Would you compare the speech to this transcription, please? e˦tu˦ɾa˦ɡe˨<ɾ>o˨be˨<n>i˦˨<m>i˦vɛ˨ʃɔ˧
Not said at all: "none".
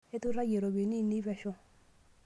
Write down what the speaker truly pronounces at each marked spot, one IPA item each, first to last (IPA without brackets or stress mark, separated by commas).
ɾ, n, n